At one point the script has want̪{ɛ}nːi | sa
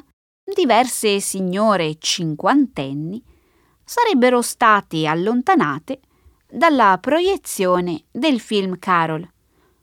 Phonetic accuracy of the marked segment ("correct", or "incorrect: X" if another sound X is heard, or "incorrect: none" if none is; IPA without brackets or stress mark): correct